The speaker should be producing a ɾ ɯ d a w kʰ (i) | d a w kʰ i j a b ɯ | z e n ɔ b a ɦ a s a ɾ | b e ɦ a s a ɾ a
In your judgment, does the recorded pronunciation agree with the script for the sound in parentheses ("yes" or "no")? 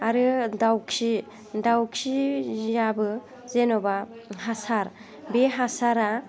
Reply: yes